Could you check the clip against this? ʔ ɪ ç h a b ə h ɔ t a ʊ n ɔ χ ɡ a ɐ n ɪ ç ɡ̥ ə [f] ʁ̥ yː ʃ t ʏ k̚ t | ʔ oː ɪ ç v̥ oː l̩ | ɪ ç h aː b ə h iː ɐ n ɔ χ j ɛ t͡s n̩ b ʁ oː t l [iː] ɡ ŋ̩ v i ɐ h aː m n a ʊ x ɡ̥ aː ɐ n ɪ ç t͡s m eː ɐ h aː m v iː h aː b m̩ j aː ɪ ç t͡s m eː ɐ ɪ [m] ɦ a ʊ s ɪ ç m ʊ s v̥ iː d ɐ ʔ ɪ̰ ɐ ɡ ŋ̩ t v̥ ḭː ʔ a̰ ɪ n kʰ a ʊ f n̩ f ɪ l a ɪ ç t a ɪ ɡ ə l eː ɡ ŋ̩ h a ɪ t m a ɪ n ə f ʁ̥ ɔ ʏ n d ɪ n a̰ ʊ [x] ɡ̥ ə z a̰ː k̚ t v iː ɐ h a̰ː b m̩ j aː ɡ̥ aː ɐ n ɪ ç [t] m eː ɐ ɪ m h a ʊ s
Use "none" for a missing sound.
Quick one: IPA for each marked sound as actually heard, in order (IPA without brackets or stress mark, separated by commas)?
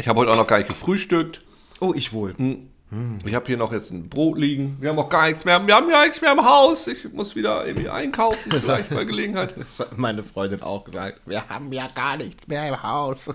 f, iː, m, x, t͡s